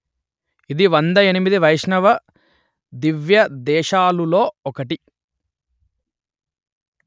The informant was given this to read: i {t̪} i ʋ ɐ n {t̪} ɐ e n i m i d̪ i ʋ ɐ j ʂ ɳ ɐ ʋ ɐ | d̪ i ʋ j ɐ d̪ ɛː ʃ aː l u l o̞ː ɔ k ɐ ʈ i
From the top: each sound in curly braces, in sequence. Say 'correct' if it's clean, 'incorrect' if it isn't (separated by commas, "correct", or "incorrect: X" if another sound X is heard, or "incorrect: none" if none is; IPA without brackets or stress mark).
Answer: incorrect: d̪, incorrect: d̪